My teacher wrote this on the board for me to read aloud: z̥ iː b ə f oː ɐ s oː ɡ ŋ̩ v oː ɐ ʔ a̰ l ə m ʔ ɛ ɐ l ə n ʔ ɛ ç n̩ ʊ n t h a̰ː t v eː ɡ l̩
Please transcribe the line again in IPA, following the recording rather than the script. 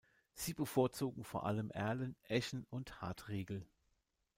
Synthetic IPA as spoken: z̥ iː b ə f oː ɐ t͡s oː ɡ ŋ̩ f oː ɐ ʔ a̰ l ə m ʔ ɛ ɐ l ə n ʔ ɛ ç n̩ ʊ n t h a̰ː t ʁ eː ɡ l̩